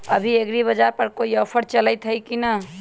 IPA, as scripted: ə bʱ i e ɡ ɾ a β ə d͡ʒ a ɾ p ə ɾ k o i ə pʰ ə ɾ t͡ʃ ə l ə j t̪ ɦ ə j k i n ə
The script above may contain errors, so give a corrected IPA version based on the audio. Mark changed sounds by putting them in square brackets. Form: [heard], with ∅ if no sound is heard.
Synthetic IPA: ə bʱ i e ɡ ɾ [i] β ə d͡ʒ a ɾ p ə ɾ k o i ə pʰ ə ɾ t͡ʃ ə l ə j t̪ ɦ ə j k i n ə